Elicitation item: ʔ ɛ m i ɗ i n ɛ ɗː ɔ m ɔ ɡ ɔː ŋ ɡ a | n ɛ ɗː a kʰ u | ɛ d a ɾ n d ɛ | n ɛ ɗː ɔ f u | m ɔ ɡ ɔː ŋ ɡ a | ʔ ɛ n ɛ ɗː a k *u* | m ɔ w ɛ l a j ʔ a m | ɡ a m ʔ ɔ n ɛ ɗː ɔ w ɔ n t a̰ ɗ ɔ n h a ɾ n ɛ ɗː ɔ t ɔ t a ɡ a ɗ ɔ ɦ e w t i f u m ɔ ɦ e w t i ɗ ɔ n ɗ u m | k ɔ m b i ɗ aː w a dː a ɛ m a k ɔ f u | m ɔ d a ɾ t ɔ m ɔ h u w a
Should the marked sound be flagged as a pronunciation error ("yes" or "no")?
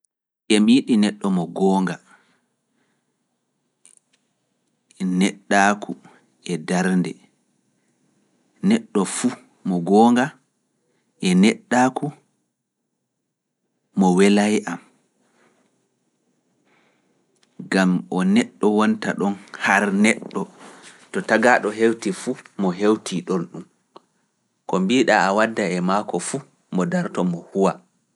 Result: no